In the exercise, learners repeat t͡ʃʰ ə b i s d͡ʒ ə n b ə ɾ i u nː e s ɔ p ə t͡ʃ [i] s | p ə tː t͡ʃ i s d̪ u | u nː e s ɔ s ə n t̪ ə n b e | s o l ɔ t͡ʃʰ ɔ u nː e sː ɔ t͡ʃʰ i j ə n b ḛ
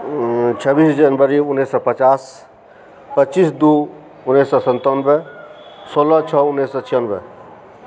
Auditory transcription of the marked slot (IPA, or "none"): a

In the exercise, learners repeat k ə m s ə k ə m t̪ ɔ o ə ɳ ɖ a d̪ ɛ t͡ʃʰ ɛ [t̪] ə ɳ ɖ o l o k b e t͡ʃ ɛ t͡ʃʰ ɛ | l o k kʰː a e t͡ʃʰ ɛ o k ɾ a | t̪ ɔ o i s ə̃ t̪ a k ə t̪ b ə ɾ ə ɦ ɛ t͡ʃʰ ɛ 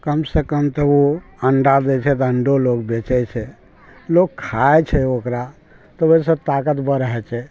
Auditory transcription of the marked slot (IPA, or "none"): t̪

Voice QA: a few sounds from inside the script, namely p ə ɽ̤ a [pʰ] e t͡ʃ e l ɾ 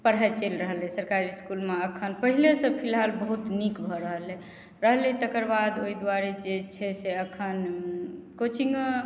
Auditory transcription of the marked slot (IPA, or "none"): none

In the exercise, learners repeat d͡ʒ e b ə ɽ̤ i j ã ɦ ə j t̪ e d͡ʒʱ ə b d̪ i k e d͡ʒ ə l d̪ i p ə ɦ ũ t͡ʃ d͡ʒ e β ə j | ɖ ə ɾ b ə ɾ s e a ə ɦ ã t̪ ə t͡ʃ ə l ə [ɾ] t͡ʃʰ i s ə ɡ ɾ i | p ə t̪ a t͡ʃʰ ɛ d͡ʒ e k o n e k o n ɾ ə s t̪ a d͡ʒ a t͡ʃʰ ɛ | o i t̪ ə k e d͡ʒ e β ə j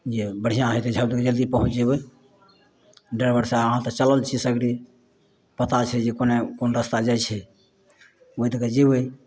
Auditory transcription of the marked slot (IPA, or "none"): l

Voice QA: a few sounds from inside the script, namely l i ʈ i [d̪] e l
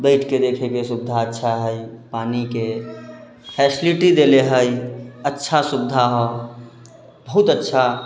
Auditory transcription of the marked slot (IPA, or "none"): d̪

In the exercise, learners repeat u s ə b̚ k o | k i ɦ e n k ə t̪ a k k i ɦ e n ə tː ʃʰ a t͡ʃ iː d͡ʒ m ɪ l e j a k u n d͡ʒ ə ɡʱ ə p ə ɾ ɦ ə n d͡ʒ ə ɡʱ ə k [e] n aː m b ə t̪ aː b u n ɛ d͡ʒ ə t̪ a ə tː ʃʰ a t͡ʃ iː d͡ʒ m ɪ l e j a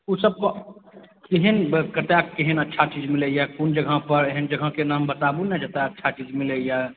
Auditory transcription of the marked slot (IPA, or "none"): e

